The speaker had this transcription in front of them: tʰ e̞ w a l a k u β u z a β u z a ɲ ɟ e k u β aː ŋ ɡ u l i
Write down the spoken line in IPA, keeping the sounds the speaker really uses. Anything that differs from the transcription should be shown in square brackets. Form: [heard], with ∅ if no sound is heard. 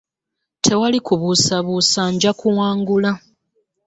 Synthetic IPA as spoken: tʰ e̞ w a l [i] k u β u [s] a β u [s] a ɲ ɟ [a] k u [w] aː ŋ ɡ u l [a]